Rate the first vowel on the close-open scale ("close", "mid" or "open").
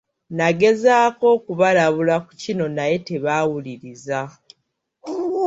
open